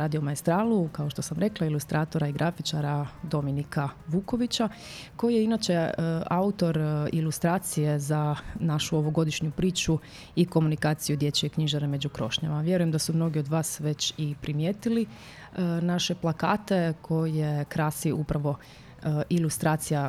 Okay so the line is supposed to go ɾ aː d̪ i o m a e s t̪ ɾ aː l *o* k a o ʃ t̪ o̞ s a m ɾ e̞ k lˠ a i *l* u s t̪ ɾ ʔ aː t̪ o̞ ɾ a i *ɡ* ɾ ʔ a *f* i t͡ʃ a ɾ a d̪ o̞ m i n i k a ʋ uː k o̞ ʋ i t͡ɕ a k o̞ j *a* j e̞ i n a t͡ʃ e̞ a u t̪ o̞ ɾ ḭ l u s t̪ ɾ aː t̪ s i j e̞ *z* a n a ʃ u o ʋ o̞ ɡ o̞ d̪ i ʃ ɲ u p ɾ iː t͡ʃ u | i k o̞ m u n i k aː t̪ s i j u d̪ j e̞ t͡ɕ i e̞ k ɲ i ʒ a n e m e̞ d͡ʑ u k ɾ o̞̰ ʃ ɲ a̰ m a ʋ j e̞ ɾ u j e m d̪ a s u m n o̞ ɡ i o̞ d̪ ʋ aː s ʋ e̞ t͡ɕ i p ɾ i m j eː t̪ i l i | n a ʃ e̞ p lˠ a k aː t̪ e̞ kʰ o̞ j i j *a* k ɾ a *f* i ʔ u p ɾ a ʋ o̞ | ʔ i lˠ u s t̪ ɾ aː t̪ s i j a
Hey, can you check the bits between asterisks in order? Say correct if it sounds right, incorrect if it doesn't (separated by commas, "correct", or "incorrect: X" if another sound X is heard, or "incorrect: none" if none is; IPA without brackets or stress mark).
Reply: incorrect: u, correct, correct, correct, incorrect: i, correct, incorrect: e, incorrect: s